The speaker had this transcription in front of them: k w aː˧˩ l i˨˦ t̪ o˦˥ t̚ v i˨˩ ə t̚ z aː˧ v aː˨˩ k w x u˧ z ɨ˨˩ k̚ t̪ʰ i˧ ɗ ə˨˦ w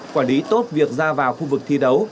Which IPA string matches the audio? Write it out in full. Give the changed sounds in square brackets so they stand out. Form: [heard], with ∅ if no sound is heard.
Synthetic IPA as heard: k w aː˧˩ l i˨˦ t̪ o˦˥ t̚ v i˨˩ ə [k̚] z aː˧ v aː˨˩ [∅] w x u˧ [v] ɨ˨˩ k̚ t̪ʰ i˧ ɗ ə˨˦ w